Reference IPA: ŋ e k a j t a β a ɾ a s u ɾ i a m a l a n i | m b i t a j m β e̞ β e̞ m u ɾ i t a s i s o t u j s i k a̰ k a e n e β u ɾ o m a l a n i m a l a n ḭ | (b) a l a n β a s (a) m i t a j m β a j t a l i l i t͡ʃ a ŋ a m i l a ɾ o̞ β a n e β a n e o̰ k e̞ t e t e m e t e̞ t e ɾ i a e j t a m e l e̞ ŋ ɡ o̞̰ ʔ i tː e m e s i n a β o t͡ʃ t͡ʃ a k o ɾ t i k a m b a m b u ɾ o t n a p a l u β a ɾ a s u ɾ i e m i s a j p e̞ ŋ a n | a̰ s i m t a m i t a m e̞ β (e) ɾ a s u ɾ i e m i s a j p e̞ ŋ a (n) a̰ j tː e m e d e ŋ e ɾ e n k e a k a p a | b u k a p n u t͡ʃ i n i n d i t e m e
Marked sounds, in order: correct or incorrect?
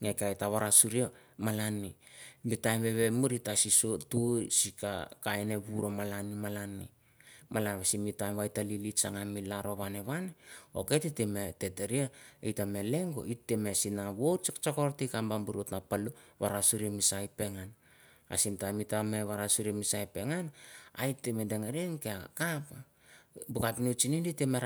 incorrect: m, incorrect: i, incorrect: a, correct

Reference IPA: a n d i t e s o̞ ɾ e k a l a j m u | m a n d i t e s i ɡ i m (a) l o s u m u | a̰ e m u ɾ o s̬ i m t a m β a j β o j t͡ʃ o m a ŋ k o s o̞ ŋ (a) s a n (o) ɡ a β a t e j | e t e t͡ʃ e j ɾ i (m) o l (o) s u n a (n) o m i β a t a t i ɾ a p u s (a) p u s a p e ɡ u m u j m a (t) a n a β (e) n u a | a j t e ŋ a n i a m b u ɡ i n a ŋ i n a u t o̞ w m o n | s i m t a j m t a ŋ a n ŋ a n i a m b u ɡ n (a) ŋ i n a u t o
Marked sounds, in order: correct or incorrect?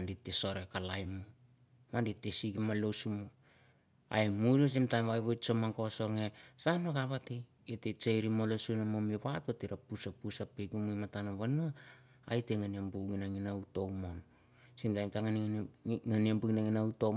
correct, incorrect: e, correct, correct, correct, incorrect: m, correct, correct, incorrect: a, correct

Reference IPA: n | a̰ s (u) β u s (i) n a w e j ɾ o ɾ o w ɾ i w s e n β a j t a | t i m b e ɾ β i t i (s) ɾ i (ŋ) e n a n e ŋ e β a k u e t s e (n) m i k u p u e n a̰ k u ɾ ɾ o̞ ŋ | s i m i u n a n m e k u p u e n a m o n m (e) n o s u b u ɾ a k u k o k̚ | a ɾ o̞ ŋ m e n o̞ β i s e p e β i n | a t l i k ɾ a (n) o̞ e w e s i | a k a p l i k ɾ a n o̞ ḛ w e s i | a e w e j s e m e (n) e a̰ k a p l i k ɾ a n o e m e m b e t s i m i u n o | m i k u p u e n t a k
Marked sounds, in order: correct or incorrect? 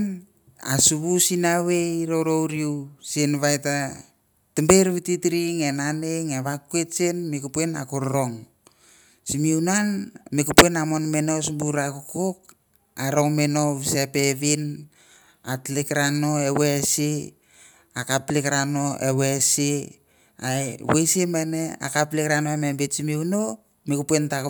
correct, correct, incorrect: t, correct, correct, correct, correct, correct

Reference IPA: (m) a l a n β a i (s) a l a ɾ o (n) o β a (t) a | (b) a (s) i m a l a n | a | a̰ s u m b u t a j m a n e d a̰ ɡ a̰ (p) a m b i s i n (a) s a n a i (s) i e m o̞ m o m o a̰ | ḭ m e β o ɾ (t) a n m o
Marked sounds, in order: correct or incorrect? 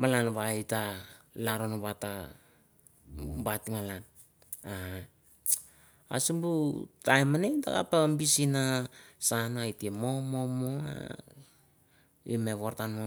correct, incorrect: t, correct, correct, correct, incorrect: t, correct, correct, incorrect: t, correct

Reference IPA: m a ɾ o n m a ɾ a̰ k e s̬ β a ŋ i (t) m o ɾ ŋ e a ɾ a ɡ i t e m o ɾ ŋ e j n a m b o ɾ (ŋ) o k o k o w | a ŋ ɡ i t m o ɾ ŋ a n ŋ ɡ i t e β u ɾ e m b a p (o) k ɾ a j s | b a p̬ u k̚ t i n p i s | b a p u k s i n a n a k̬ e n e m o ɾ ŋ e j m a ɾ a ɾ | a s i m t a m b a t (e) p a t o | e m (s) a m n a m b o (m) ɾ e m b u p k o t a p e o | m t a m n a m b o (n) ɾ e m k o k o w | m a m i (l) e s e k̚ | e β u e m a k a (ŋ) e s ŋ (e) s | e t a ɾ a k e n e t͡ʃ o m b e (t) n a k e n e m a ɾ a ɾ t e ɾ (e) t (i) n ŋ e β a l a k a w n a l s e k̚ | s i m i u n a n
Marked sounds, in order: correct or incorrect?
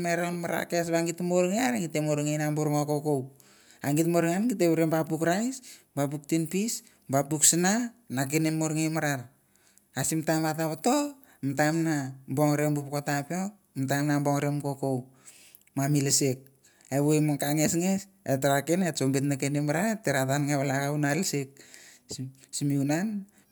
correct, correct, incorrect: u, incorrect: a, incorrect: t, incorrect: ŋ, incorrect: ŋ, correct, correct, correct, correct, incorrect: a, incorrect: a

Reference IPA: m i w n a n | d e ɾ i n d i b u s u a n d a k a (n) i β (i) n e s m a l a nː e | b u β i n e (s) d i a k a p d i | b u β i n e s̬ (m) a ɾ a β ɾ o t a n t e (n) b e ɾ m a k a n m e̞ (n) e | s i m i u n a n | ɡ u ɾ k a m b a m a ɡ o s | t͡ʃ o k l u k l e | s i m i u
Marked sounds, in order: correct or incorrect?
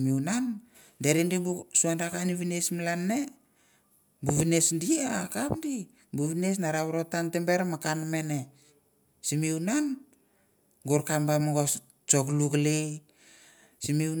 correct, correct, correct, incorrect: n, incorrect: m, correct

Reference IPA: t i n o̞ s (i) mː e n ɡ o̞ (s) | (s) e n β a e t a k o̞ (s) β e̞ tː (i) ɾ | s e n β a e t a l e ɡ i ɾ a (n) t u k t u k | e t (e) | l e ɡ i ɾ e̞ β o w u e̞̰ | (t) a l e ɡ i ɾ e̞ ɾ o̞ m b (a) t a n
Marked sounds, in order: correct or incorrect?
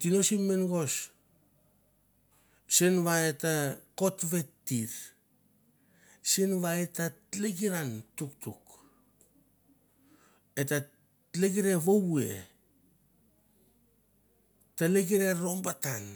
correct, correct, correct, incorrect: t, correct, correct, incorrect: a, correct, correct

